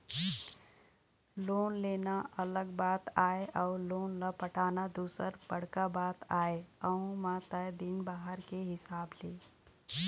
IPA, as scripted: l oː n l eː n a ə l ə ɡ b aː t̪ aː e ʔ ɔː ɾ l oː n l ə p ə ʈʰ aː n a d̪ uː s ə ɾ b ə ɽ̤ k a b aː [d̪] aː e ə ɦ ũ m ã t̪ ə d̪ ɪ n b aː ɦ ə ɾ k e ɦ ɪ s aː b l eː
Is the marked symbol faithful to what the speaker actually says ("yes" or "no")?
no